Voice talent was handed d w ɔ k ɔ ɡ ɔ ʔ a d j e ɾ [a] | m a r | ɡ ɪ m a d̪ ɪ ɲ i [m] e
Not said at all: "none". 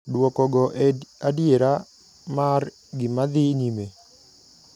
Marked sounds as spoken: a, m

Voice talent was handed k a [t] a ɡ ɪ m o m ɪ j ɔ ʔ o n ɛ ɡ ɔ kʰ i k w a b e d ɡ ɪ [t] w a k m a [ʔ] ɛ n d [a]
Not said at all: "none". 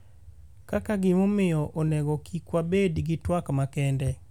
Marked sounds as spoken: k, t, k, ɛ

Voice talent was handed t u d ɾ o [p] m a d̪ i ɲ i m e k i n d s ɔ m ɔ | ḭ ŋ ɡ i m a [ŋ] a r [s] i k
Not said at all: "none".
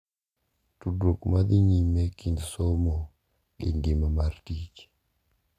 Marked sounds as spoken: k, m, t

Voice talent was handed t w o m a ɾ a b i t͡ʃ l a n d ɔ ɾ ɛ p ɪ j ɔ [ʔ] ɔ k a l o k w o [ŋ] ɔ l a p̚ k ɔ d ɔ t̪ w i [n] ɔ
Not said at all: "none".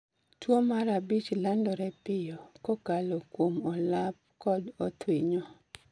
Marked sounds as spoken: k, m, ɲ

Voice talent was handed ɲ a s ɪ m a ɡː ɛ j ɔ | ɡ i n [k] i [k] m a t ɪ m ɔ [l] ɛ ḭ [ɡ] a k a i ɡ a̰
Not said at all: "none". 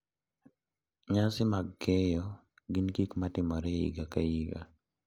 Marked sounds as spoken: k, k, ɾ, ɡ

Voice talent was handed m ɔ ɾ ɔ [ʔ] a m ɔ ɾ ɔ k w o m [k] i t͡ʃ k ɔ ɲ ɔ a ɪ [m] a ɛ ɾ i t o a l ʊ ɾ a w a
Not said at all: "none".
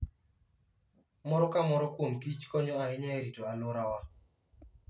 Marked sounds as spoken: k, k, ɲ

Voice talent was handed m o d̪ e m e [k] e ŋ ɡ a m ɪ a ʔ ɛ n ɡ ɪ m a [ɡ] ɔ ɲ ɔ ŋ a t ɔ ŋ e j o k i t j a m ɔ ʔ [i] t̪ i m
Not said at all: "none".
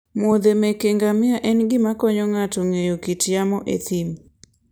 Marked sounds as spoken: k, k, e

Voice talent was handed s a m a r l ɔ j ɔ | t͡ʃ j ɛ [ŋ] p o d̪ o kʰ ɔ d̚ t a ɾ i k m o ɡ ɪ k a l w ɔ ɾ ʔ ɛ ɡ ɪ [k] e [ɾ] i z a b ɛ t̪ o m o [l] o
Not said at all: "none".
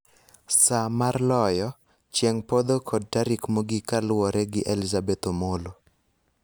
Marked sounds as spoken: ŋ, ʔ, l, l

